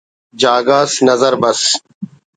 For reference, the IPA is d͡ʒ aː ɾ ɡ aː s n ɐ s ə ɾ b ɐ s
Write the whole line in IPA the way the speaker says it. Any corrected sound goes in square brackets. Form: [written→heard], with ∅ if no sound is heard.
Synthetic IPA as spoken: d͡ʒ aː [ɾ→∅] ɡ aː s n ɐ [s→z] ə ɾ b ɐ s